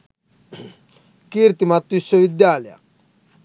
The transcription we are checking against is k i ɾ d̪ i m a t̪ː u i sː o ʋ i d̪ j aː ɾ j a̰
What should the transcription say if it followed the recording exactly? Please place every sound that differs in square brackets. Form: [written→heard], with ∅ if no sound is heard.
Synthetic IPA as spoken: k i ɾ [d̪→t̪] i m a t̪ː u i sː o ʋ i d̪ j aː [ɾ→l] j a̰